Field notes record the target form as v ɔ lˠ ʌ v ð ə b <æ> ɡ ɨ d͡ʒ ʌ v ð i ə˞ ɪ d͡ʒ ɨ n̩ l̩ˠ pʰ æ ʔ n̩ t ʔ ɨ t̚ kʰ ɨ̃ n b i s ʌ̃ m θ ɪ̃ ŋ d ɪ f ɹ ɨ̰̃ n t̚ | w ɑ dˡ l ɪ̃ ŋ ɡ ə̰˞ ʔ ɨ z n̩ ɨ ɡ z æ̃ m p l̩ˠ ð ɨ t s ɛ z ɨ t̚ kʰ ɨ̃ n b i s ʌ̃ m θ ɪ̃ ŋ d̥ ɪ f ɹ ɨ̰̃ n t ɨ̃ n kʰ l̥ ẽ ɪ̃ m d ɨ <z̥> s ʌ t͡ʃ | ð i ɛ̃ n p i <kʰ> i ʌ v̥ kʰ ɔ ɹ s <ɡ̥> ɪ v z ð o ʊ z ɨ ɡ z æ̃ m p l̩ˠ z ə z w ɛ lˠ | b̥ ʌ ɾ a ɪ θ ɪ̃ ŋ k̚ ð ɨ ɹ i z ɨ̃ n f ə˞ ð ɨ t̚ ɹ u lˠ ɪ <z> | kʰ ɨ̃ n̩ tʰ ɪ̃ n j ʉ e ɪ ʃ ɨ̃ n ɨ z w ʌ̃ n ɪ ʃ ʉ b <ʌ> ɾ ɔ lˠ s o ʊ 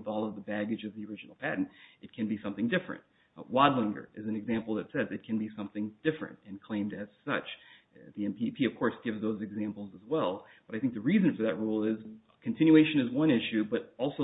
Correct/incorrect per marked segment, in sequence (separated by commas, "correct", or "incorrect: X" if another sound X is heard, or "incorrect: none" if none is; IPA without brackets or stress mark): correct, correct, incorrect: pʰ, correct, correct, correct